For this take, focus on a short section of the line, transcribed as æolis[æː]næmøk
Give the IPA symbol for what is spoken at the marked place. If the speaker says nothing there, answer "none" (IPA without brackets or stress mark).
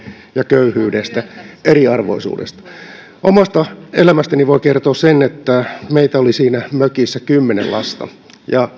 iː